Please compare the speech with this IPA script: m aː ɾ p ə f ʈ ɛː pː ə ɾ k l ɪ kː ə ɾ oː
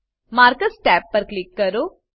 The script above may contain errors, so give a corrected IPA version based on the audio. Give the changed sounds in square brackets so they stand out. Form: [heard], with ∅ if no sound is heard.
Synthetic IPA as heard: m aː ɾ [k] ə [s] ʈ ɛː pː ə ɾ k l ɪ kː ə ɾ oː